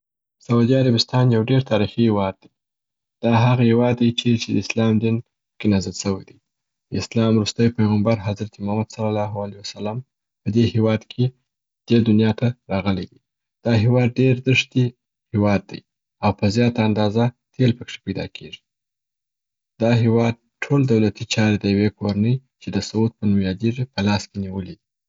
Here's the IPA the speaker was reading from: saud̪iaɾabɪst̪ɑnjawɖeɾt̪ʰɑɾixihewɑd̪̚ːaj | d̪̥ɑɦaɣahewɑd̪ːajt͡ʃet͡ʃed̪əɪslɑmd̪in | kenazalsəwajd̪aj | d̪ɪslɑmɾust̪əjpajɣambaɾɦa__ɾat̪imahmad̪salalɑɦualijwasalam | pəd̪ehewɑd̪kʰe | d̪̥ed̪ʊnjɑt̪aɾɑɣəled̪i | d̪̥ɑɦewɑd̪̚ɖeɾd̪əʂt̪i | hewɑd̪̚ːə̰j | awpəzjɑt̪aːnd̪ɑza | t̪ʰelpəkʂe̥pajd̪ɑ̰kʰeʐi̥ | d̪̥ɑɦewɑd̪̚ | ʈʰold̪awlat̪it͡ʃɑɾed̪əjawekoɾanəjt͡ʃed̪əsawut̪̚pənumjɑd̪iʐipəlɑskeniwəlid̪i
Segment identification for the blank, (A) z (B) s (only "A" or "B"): A